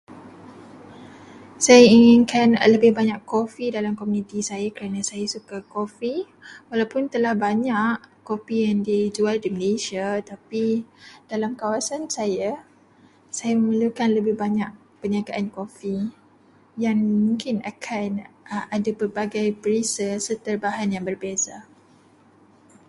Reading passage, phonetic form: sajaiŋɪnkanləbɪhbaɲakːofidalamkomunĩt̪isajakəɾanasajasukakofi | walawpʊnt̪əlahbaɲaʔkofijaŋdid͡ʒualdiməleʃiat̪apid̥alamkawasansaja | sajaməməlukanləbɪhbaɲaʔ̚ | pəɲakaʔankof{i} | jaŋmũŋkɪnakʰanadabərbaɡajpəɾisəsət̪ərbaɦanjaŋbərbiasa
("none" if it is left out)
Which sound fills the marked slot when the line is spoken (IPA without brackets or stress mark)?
i